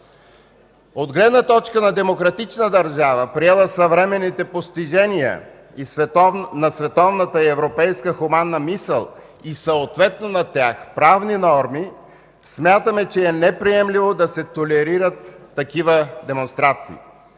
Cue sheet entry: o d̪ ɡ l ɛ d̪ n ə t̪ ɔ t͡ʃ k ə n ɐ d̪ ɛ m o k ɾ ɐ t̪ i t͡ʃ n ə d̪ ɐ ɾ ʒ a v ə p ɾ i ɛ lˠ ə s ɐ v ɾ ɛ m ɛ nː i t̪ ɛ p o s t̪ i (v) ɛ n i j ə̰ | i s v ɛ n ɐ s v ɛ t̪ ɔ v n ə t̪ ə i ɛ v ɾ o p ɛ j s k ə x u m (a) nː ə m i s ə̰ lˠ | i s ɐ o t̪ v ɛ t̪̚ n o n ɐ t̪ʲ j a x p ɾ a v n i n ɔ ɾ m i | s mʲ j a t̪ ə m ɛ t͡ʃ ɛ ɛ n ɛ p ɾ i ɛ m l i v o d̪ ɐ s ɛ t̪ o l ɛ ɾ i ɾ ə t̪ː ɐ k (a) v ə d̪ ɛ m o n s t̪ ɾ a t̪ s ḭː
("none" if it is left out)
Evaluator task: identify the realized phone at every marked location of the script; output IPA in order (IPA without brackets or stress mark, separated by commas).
ʒ, a, i